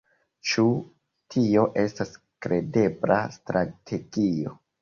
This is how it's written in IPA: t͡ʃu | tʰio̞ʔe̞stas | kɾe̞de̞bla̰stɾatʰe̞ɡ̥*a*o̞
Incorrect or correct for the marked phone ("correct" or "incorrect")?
incorrect